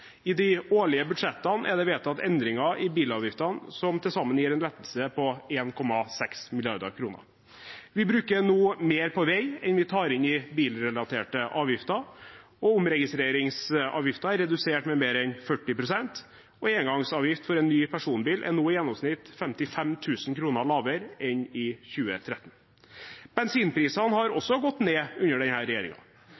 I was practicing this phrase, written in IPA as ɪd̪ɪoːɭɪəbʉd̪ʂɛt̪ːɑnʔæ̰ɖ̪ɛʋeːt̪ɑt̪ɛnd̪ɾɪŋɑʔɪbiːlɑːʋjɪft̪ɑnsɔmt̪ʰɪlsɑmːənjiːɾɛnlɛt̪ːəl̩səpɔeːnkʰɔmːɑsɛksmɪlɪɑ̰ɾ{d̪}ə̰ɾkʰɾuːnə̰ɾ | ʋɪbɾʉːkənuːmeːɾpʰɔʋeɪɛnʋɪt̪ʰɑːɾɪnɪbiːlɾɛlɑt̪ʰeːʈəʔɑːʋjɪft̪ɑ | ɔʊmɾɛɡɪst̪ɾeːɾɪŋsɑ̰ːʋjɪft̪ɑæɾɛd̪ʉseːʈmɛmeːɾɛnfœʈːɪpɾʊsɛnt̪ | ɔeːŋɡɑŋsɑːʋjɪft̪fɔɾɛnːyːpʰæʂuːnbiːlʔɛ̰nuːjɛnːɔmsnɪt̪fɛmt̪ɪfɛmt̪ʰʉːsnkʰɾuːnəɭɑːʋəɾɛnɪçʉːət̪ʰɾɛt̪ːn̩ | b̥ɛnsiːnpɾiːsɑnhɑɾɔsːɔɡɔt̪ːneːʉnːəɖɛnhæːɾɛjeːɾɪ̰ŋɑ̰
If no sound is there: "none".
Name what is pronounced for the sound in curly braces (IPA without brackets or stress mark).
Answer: d̪